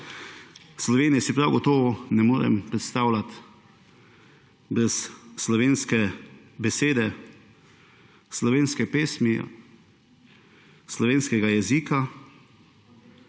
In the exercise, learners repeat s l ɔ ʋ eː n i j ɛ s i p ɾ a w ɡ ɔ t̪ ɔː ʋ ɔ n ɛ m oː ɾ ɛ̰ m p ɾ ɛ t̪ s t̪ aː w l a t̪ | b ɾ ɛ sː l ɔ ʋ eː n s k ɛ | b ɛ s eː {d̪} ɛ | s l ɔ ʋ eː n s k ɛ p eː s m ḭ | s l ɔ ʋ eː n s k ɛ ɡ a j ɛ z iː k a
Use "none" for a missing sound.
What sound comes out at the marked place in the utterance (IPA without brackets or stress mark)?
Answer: d̪